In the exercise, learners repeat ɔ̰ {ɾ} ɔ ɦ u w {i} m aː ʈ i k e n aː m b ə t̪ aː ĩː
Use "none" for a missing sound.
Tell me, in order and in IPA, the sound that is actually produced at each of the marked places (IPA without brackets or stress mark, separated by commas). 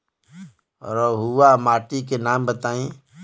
ɾ, a